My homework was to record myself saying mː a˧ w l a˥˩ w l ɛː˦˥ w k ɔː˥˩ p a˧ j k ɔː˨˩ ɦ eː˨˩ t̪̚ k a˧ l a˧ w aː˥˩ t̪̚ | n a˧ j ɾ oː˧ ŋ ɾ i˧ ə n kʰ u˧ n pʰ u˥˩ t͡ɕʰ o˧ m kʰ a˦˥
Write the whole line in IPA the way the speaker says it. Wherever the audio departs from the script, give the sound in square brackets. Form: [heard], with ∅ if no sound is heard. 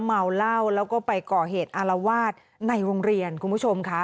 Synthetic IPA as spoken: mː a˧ w l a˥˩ w l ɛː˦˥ w k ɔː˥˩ p a˧ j k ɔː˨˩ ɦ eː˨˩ t̪̚ [ʔ] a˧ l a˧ w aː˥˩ t̪̚ | n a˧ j ɾ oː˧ ŋ ɾ i˧ ə n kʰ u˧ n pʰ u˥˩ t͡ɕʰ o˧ m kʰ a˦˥